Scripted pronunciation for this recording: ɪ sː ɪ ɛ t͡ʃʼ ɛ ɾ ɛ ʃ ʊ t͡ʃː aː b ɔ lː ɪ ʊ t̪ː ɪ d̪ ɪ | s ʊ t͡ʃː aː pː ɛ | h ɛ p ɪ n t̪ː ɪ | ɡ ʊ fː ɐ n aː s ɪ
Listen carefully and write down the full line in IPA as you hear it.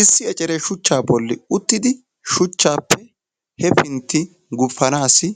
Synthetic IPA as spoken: ɪ sː ɪ ɛ t͡ʃʼ ɛ ɾ ɛ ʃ ʊ t͡ʃː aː b ɔ lː ɪ ʊ t̪ː ɪ d̪ ɪ | ʃ ʊ t͡ʃː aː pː ɛ | h ɛ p ɪ n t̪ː ɪ | ɡ ʊ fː ɐ n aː s ɪ